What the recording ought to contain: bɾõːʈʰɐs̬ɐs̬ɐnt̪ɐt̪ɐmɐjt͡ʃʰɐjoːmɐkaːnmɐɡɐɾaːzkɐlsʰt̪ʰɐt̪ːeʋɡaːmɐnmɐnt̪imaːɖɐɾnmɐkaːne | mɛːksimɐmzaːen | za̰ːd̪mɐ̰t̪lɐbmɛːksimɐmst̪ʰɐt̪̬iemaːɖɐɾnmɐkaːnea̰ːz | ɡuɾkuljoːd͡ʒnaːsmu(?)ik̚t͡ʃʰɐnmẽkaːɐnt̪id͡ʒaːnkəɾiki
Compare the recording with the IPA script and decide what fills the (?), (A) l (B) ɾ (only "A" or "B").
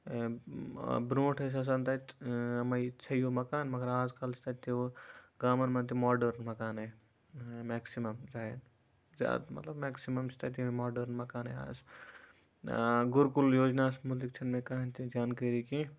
A